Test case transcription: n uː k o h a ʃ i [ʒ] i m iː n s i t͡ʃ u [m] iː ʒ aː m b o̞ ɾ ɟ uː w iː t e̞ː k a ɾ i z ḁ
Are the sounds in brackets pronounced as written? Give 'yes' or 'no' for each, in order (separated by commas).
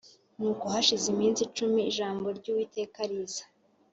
no, yes